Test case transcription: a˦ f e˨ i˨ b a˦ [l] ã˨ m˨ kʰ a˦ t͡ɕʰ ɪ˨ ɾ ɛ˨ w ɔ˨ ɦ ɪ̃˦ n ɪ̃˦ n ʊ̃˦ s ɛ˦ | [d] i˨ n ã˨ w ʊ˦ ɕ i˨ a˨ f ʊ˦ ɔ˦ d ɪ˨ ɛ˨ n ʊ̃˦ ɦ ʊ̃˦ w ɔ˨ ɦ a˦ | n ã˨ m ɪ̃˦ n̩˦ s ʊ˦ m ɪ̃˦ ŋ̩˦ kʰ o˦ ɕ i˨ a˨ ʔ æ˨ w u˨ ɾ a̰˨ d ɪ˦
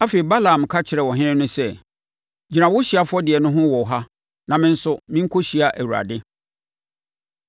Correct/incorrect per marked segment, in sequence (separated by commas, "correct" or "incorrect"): correct, incorrect